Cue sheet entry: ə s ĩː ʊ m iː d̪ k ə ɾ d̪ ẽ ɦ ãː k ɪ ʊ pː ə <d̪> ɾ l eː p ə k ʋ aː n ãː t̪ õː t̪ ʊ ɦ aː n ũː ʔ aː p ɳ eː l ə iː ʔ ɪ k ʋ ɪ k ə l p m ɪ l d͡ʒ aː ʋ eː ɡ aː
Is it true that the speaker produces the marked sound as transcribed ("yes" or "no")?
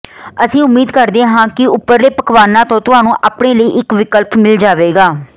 no